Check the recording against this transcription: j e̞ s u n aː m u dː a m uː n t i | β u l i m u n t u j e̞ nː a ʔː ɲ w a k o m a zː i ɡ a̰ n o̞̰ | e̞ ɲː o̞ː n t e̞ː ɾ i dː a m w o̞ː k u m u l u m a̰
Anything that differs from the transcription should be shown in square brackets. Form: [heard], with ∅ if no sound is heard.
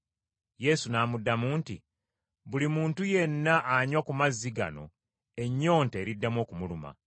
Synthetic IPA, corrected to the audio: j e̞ s u n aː m u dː a m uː n t i | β u l i m [uː] n t u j e̞ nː a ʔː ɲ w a k [u] m a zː i ɡ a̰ n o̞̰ | e̞ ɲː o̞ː n t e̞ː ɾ i dː a m w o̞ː k u m u l u m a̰